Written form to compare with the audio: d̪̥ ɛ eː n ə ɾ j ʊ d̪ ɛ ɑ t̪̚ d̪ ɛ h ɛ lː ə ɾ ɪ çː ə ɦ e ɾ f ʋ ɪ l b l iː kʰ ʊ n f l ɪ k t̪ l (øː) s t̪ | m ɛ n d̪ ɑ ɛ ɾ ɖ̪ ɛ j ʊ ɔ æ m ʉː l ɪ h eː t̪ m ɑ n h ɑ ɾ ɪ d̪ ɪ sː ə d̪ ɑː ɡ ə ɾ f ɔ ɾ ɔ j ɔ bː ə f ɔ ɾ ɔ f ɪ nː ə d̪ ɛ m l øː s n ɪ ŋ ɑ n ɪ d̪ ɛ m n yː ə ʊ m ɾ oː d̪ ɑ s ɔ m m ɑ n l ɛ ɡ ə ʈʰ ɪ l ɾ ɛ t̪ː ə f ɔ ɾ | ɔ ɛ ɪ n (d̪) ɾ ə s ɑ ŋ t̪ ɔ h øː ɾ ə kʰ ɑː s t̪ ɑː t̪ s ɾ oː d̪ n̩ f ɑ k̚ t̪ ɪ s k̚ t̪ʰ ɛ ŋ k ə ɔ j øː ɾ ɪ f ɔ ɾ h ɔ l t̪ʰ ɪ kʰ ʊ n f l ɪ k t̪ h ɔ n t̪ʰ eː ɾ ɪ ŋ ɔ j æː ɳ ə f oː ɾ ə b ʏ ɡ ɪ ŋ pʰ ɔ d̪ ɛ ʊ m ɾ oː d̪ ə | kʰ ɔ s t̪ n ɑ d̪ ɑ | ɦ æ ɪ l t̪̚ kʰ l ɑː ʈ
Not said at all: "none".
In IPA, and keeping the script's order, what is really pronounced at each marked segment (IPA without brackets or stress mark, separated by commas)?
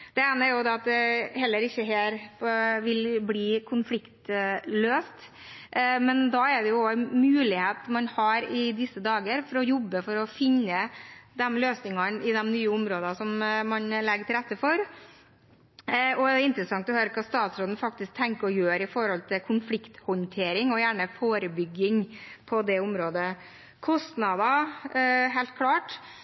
øː, t̪